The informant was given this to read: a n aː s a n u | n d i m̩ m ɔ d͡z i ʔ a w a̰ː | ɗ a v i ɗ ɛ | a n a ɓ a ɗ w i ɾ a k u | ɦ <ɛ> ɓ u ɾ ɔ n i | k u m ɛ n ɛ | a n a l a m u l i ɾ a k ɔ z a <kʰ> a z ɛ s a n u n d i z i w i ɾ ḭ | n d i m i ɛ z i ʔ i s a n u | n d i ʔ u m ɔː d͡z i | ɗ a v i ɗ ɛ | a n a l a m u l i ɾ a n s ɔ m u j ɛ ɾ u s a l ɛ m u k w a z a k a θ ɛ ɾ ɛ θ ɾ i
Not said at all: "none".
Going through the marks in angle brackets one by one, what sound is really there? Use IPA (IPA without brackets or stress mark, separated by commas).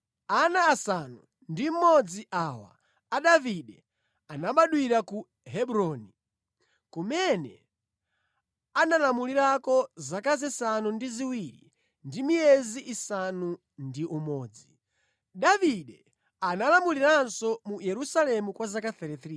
ɛ, k